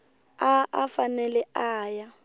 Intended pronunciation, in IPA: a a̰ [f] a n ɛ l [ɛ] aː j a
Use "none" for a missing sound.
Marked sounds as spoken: f, ɛ

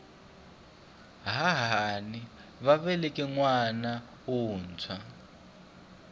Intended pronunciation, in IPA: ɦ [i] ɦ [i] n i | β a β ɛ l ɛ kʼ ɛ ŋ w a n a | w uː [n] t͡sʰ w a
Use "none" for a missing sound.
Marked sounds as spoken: a, a, n

